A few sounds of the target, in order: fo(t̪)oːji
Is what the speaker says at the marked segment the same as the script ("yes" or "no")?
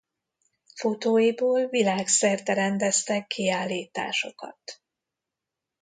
yes